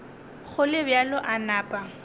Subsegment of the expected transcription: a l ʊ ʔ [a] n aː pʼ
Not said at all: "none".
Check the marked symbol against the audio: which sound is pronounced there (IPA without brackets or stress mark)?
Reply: a